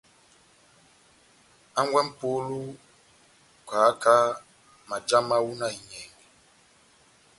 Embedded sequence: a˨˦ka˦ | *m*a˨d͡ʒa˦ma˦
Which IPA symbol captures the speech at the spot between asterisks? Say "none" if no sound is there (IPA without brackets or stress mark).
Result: m